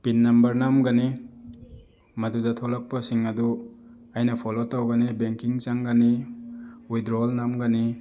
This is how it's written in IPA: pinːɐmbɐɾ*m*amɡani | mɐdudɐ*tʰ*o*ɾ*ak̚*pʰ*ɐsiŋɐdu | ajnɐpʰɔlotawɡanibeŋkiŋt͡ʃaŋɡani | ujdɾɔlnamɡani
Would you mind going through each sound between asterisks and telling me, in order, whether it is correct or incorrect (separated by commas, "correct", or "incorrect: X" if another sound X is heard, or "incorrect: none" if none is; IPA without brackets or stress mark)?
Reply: incorrect: n, correct, incorrect: l, incorrect: p